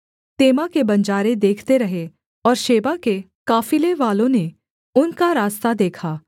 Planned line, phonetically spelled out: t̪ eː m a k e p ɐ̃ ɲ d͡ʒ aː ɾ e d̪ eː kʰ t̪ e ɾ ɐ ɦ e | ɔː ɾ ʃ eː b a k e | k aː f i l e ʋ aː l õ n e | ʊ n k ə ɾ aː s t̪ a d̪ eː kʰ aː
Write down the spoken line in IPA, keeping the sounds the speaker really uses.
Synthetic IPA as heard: t̪ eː m a k e b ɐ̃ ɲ d͡ʒ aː ɾ e d̪ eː kʰ t̪ e ɾ ɐ ɦ e | ɔː ɾ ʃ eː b a k e | k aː f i l e ʋ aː l õ n e | ʊ n k a ɾ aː s t̪ a d̪ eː kʰ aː